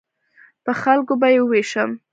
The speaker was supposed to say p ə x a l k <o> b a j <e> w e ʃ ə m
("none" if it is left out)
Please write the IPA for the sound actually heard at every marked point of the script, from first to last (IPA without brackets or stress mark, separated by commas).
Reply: o, e